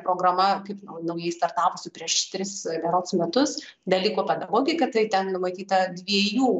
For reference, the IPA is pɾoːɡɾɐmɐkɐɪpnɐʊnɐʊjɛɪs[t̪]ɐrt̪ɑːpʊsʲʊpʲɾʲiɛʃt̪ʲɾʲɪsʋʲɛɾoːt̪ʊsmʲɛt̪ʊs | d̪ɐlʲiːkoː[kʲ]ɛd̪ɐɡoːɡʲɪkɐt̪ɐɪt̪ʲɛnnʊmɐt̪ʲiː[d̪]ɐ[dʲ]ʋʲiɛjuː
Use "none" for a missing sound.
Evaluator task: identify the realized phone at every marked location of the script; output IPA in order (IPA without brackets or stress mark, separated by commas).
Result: t̪, pʲ, t̪, dʲ